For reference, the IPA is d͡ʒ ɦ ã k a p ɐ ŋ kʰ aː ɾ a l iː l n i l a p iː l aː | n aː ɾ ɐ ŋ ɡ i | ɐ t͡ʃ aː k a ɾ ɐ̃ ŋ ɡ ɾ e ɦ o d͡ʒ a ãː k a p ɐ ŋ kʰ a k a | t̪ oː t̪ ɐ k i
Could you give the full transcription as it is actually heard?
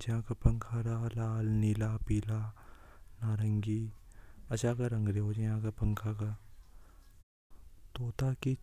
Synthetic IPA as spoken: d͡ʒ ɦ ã k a p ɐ ŋ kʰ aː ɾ a l aː l n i l a p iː l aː | n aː ɾ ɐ ŋ ɡ i | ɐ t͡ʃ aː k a ɾ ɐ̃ ŋ ɡ ɾ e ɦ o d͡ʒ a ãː k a p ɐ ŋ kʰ a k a | t̪ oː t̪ a k i